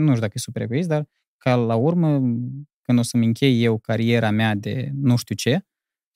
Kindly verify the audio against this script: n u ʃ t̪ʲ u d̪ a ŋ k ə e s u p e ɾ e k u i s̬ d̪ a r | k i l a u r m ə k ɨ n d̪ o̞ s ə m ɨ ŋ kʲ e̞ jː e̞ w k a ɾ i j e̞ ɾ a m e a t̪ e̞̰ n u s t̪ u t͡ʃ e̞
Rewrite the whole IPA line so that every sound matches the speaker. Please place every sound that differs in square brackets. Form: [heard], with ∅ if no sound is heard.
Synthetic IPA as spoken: n u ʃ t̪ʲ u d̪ a [∅] k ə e s u p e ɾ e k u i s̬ d̪ a r | k [a] l a u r m ə k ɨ n d̪ o̞ s ə m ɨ ŋ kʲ e̞ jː e̞ w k a ɾ i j e̞ ɾ a m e a [d̪] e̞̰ n u [ʃ] t̪ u t͡ʃ e̞